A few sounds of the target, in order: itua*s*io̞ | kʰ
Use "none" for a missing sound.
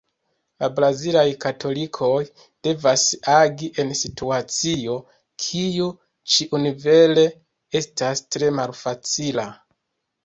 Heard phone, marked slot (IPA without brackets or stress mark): t͡s